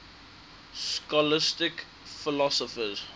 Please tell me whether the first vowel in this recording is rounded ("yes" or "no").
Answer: yes